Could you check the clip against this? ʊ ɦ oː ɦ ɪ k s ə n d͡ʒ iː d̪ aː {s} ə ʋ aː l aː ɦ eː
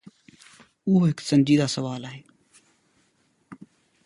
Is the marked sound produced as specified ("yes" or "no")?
yes